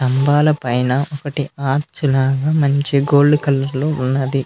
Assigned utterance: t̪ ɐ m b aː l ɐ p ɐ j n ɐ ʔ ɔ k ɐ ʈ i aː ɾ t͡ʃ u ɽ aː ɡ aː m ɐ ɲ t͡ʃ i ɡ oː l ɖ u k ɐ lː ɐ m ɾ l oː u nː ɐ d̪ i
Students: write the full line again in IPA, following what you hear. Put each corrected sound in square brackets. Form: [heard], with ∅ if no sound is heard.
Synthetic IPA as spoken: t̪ ɐ m b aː l ɐ p ɐ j n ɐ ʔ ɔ k ɐ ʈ i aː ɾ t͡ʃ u [l] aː ɡ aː m ɐ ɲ t͡ʃ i ɡ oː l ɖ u k ɐ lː ɐ [∅] ɾ l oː u nː ɐ d̪ i